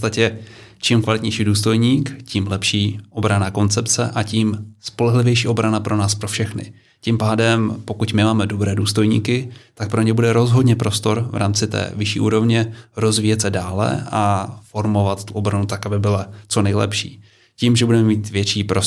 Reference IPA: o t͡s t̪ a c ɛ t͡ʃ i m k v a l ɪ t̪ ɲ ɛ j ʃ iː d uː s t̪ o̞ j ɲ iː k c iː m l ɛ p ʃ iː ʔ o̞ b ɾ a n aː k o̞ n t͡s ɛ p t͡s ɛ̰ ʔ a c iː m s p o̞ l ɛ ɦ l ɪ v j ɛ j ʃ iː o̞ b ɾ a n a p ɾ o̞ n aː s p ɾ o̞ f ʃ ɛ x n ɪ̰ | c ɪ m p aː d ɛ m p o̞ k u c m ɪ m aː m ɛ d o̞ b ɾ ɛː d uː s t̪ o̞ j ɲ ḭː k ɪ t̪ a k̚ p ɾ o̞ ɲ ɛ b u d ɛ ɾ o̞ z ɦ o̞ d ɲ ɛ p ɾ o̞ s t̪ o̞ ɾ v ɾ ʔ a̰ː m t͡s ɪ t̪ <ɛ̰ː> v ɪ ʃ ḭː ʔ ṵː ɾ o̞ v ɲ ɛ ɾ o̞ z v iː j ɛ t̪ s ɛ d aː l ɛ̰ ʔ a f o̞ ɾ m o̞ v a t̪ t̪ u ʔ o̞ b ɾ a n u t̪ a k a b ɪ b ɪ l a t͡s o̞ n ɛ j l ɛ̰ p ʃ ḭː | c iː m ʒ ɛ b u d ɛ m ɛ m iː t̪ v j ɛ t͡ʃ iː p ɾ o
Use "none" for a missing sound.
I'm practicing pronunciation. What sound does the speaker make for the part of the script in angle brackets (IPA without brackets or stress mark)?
ɛ̰ː